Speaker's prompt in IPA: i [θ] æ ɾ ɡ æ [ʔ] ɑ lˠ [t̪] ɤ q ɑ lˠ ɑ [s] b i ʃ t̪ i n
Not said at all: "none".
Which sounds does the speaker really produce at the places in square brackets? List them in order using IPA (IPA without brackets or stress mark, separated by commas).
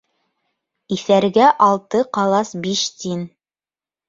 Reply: θ, ʔ, t̪, s